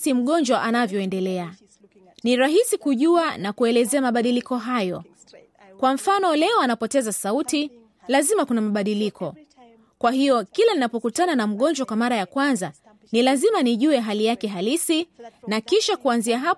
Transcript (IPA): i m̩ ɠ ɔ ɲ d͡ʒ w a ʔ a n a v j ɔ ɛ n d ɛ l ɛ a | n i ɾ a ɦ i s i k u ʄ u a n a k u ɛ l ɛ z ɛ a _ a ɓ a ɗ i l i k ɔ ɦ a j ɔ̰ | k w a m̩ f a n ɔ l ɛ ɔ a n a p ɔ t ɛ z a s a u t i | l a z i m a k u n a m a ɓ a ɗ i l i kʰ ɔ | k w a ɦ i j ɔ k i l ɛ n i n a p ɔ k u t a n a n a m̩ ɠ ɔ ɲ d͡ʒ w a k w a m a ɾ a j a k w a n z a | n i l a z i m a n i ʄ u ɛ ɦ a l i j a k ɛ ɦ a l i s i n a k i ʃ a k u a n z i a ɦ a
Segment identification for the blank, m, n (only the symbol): m